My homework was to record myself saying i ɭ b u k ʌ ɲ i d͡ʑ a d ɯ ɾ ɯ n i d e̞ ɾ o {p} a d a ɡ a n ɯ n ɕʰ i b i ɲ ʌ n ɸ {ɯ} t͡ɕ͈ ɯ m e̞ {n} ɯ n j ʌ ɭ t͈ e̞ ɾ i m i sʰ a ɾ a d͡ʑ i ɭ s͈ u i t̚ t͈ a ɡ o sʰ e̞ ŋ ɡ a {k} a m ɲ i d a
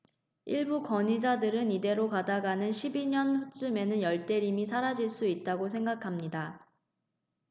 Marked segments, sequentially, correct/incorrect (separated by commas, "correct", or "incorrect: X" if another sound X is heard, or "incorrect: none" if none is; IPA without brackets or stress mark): incorrect: k, incorrect: u, correct, incorrect: kʰ